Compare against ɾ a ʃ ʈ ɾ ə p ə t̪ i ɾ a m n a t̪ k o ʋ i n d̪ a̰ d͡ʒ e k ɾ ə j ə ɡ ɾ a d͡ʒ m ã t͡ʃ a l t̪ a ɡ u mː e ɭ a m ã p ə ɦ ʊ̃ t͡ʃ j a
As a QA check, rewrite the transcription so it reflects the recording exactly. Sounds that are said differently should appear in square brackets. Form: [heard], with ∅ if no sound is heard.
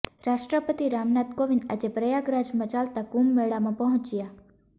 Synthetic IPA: ɾ a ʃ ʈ ɾ ə p ə t̪ i ɾ a m n a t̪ k o ʋ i n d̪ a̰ d͡ʒ e [p] ɾ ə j [a] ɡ ɾ a d͡ʒ m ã t͡ʃ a l t̪ a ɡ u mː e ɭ a m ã p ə ɦ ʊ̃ t͡ʃ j a